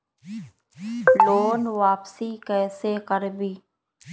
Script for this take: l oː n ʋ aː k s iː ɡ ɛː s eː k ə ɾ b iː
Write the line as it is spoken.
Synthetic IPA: l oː n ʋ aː p s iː k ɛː s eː k ə ɾ b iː